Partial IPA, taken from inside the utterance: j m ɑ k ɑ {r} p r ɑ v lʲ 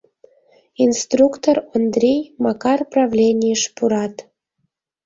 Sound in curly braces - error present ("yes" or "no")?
no